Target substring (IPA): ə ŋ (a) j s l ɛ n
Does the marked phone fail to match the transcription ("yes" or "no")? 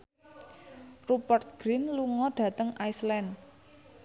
no